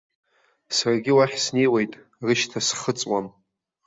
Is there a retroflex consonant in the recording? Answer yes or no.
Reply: no